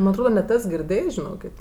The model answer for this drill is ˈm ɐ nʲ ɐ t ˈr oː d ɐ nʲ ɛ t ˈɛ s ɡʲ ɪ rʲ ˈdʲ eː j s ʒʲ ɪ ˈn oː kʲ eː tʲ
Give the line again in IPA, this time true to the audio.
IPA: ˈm ɐ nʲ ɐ t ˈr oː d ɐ nʲ ɛ t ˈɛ s ɡʲ ɪ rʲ ˈdʲ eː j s ʒʲ ɪ ˈn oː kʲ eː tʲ